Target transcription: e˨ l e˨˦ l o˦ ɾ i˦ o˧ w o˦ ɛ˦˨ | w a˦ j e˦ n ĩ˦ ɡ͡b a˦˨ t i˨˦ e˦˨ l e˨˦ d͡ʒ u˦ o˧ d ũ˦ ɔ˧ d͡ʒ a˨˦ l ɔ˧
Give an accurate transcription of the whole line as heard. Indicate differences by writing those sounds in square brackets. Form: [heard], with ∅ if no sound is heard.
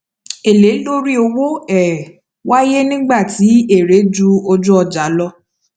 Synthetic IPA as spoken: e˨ l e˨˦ l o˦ ɾ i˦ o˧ w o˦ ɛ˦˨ | w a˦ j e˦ n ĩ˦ ɡ͡b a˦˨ t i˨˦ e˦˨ [ɾ] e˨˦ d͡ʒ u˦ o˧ [d͡ʒ] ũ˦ ɔ˧ d͡ʒ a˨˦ l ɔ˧